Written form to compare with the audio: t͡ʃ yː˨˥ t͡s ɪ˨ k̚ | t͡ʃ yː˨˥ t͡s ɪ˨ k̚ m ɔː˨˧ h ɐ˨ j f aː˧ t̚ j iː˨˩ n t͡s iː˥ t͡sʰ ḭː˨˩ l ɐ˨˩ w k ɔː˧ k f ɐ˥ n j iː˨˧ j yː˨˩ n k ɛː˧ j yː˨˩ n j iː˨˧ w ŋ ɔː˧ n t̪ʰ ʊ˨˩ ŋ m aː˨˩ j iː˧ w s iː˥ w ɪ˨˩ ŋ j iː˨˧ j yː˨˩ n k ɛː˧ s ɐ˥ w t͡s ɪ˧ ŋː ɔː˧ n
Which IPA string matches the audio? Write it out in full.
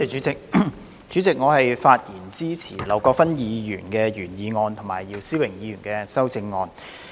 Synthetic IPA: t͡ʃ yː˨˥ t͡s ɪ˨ k̚ | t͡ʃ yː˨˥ t͡s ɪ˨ k̚ ŋ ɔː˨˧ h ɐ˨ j f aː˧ t̚ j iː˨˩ n t͡s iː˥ t͡sʰ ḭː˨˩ l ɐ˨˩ w k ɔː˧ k f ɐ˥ n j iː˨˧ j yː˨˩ n k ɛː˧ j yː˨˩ n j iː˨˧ ŋ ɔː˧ n t̪ʰ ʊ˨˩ ŋ m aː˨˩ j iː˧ w s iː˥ w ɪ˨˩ ŋ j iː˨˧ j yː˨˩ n k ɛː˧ s ɐ˥ w t͡s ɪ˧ ŋː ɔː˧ n

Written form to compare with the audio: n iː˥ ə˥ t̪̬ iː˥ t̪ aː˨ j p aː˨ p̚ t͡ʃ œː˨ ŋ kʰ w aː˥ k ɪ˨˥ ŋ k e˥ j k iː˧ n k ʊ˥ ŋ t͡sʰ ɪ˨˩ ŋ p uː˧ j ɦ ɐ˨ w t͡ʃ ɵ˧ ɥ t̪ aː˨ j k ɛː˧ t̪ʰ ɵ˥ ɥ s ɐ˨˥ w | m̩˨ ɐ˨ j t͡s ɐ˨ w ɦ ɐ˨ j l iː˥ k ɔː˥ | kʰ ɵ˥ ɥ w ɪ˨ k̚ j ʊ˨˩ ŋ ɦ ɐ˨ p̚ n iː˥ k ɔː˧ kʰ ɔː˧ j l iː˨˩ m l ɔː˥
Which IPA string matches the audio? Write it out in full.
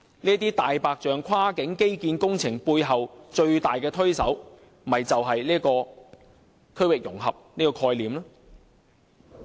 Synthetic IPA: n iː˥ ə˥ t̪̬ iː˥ t̪ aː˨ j p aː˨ k̚ t͡ʃ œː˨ ŋ kʰ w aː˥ k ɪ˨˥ ŋ k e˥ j k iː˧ n k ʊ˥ ŋ t͡sʰ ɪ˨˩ ŋ p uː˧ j ɦ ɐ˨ w t͡ʃ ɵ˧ ɥ t̪ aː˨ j k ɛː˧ t̪ʰ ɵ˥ ɥ s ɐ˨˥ w | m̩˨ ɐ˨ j t͡s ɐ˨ w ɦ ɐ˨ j l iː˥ k ɔː˧ | kʰ ɵ˥ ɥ w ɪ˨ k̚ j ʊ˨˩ ŋ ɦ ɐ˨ p̚ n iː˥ k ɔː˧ kʰ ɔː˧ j l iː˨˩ m l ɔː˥

